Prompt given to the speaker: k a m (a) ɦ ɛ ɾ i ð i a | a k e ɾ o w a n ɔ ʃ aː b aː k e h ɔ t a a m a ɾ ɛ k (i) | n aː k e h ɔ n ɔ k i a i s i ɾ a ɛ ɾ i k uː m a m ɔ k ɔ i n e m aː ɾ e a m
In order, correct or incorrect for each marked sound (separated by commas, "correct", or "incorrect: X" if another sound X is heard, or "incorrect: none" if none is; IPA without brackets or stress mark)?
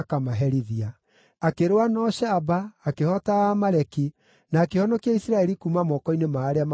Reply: correct, correct